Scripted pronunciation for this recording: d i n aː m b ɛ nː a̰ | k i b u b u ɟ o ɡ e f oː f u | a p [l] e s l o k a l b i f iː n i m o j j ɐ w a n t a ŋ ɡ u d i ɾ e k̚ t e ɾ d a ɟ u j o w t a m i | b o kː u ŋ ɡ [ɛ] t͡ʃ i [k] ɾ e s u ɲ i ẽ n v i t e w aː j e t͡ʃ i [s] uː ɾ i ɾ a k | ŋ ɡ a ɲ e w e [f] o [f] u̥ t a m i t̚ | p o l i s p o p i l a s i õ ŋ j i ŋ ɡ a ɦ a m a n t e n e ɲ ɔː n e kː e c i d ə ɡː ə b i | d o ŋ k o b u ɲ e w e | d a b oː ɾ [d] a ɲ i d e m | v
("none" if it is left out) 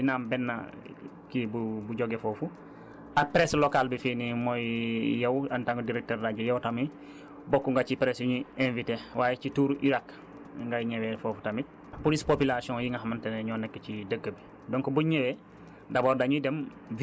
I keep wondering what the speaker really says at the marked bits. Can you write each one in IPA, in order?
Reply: ɾ, a, p, t, f, f, d

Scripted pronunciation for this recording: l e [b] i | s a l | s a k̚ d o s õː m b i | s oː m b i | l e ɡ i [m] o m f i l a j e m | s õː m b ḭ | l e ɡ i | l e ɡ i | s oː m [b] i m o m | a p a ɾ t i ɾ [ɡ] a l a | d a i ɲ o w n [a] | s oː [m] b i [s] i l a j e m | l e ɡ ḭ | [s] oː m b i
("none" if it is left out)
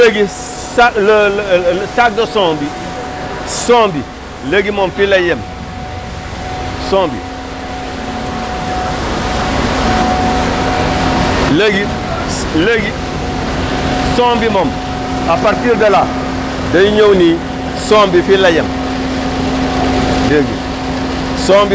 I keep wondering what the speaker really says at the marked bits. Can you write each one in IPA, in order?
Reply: ɡ, m, b, d, i, m, f, s

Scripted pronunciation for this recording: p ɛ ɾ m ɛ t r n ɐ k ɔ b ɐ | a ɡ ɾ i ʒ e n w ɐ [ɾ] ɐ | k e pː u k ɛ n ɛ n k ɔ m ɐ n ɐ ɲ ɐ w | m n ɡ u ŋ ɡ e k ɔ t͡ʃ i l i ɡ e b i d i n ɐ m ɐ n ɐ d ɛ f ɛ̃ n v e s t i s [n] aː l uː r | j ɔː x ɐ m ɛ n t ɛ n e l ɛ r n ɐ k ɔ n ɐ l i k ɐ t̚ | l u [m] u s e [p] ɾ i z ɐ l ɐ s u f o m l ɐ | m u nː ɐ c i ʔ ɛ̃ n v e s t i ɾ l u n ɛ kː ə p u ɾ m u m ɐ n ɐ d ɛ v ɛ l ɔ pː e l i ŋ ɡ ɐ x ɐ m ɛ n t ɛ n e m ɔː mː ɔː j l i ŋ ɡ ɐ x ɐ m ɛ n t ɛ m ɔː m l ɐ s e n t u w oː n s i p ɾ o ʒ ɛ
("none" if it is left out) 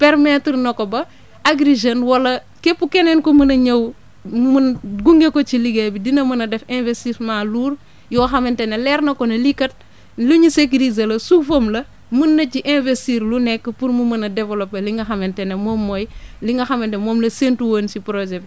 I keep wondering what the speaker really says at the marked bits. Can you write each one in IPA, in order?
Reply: l, m, ɲ, k

